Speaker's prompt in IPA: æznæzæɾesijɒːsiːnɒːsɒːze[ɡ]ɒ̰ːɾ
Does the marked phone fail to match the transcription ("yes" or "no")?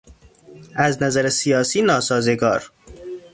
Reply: no